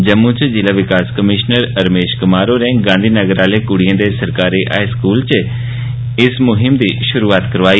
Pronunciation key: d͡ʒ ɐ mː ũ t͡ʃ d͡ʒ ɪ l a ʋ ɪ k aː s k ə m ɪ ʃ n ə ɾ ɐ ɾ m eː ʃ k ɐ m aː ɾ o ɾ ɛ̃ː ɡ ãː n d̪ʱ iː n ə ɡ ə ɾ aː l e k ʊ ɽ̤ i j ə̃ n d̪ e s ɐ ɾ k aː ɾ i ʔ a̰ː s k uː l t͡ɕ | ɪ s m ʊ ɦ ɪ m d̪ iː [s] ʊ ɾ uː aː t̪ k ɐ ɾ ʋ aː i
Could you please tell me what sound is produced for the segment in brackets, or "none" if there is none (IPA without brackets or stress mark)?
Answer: ʃ